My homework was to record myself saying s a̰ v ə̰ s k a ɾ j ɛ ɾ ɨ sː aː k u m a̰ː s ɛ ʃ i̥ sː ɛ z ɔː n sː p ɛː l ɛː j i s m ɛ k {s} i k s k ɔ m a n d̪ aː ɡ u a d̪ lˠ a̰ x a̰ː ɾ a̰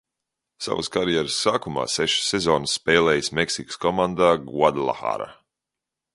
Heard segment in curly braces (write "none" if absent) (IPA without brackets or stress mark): s